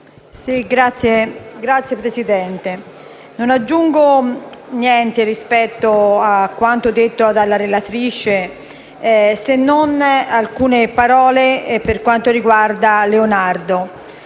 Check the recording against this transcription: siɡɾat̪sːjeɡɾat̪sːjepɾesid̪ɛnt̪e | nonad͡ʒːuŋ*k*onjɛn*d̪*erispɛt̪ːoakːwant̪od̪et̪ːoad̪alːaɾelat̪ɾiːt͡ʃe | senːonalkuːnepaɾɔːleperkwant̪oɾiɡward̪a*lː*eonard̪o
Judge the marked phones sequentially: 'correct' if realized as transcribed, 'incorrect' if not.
incorrect, incorrect, incorrect

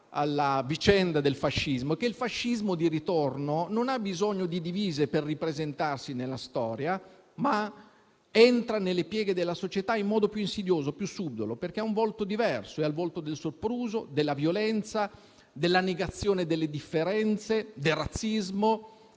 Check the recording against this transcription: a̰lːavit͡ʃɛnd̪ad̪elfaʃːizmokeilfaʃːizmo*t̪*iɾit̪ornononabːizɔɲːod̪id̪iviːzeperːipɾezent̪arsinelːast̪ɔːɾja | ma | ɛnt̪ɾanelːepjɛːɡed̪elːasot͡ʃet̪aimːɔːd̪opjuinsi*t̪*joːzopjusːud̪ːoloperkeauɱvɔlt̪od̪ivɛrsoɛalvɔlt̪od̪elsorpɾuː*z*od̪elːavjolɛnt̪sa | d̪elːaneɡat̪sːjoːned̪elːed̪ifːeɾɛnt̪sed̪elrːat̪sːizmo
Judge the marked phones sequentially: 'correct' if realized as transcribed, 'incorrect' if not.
incorrect, incorrect, correct

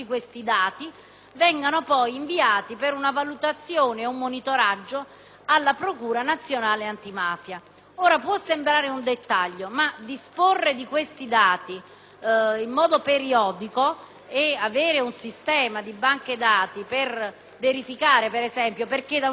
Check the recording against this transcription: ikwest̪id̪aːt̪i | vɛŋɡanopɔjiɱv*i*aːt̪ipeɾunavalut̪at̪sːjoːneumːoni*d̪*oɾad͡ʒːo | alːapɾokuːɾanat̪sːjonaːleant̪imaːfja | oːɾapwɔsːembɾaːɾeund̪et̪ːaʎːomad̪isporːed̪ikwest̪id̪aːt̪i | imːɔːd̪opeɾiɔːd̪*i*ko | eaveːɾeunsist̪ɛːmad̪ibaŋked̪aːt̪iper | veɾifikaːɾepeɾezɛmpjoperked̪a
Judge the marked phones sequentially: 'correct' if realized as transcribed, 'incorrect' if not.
correct, incorrect, correct

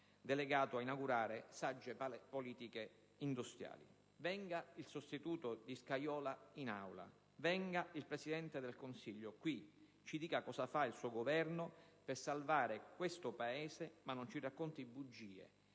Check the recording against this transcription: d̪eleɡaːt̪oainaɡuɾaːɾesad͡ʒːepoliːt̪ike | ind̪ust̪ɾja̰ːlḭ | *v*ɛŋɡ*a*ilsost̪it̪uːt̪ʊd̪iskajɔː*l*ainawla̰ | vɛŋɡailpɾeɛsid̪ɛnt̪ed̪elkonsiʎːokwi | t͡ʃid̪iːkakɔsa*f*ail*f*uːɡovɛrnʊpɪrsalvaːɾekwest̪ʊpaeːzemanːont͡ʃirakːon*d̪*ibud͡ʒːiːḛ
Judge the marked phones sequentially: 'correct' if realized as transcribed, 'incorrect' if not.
correct, correct, correct, correct, incorrect, incorrect

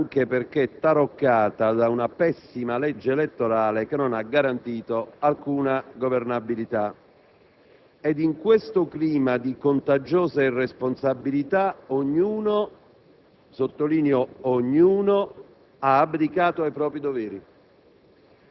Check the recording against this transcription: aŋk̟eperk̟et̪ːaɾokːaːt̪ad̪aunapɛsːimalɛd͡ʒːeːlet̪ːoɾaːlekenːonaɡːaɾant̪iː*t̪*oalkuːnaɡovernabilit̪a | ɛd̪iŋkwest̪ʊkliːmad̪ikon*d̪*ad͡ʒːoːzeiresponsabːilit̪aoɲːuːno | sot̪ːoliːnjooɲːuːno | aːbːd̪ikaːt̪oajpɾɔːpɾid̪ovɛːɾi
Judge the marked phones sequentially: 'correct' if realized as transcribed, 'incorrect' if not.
correct, incorrect

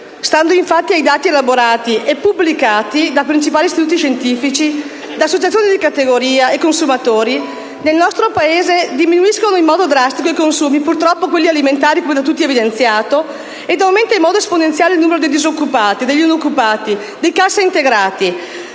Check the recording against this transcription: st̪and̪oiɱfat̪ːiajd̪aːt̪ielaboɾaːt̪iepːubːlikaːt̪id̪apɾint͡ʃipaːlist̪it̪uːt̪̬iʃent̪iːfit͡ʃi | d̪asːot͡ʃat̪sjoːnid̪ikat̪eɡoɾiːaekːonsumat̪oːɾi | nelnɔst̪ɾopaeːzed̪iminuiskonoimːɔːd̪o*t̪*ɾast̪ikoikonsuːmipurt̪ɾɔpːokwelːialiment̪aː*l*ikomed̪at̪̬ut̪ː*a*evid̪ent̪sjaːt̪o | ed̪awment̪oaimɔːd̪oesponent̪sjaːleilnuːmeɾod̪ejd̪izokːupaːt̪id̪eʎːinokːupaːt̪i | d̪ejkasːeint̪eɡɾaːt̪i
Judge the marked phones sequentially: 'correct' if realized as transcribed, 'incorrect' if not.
incorrect, incorrect, incorrect

